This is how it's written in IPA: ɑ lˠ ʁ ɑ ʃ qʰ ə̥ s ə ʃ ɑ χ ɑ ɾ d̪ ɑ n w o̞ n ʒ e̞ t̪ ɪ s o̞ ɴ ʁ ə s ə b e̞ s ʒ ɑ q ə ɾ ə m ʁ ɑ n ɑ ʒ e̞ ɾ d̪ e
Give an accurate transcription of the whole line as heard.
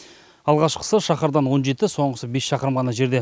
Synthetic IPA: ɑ lˠ ʁ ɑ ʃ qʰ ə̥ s ə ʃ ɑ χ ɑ ɾ d̪ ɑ n w o̞ n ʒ e̞ t̪ ɪ s o̞ ɴ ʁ ə s ə b e̞ s ʃ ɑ q ə ɾ ə m ʁ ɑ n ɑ ʒ e̞ ɾ d̪ e